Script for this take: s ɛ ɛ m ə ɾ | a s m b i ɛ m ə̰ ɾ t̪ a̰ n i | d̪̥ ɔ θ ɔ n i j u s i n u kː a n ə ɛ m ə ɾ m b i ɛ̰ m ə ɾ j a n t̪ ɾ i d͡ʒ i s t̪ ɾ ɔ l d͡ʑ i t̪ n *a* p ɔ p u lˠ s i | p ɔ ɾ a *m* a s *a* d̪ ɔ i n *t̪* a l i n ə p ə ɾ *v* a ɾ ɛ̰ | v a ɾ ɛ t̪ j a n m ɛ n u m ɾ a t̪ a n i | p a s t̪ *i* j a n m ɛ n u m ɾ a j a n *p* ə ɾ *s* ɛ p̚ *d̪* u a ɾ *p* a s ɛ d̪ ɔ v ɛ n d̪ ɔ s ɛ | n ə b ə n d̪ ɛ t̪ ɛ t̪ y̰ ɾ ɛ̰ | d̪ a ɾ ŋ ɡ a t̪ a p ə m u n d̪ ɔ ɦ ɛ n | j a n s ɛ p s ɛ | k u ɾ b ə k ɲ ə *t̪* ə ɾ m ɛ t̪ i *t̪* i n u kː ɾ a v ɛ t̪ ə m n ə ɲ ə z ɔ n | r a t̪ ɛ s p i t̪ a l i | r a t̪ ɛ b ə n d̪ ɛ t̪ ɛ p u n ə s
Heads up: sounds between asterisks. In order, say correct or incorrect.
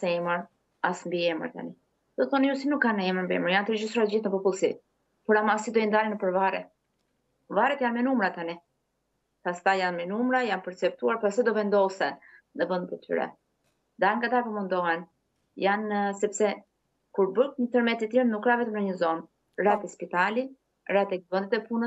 incorrect: ə, correct, incorrect: i, incorrect: d̪, correct, incorrect: a, correct, incorrect: t͡s, incorrect: t̪, correct, correct, correct

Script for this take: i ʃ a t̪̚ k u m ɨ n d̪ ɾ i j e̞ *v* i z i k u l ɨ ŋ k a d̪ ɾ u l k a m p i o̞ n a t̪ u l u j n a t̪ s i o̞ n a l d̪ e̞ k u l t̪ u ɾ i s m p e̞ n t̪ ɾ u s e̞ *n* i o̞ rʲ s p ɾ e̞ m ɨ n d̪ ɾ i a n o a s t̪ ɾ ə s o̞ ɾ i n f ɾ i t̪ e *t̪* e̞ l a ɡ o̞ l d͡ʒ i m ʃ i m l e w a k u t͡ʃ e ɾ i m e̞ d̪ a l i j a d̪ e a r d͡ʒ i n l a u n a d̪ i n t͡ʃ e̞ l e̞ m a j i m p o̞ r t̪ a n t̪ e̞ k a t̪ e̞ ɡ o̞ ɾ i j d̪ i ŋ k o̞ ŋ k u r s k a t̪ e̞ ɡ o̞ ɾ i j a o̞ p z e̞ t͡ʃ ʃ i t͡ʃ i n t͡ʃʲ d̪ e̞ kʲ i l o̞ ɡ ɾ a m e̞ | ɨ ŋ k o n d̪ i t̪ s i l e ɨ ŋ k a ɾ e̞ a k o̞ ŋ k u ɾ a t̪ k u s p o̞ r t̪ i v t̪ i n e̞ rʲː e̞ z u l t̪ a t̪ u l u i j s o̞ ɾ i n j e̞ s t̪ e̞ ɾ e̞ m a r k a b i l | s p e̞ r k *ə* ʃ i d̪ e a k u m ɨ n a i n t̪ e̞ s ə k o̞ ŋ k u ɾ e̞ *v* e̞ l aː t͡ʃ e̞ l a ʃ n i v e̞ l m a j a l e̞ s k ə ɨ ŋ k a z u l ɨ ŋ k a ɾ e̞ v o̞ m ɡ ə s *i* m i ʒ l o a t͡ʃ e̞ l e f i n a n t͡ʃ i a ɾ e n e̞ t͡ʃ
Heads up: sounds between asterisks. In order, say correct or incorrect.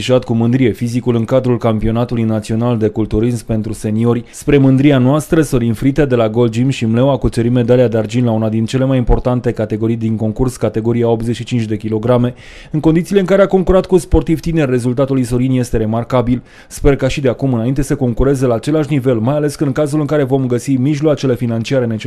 incorrect: f, correct, incorrect: d̪, incorrect: a, incorrect: z, correct

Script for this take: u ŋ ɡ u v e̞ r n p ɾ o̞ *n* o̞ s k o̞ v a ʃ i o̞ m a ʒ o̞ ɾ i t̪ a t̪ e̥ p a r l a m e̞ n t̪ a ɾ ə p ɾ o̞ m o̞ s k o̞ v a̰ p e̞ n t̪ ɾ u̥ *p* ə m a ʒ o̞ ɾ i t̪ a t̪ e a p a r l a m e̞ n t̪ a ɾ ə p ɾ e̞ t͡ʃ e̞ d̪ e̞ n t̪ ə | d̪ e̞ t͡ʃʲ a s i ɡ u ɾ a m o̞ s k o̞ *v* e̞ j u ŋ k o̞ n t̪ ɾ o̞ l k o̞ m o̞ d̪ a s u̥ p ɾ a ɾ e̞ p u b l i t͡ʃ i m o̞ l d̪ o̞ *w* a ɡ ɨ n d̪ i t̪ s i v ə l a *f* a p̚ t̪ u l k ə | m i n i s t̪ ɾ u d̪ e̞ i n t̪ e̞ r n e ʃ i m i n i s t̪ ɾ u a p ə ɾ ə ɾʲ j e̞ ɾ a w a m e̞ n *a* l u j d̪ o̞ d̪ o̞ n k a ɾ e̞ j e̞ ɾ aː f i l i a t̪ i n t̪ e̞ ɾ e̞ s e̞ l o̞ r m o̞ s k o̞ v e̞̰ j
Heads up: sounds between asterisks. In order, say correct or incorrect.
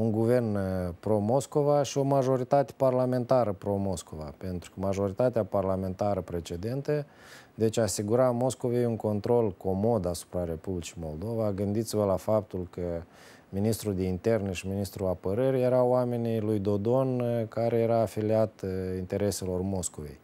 incorrect: m, incorrect: k, correct, incorrect: v, correct, incorrect: i

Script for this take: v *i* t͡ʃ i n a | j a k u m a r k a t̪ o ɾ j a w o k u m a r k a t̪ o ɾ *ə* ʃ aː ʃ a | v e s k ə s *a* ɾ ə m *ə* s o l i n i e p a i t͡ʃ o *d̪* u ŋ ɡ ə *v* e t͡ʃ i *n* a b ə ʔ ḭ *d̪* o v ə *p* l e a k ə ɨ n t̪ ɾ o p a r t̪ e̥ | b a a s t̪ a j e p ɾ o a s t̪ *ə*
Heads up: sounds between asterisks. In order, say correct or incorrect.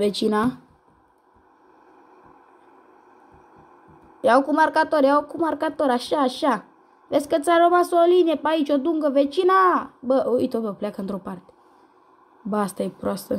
incorrect: e, incorrect: a, correct, incorrect: a, correct, correct, correct, incorrect: t̪, correct, correct

